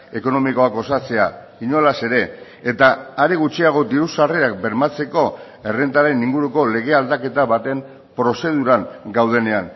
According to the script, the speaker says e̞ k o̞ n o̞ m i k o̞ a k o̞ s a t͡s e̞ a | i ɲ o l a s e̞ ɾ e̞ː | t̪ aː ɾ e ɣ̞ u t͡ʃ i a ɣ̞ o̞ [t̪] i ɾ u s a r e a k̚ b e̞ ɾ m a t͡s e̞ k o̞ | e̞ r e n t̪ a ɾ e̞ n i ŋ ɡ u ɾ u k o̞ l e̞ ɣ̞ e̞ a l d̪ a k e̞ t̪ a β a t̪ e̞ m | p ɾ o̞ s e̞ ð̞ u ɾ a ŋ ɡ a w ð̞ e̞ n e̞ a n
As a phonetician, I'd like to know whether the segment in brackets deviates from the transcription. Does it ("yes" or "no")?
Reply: yes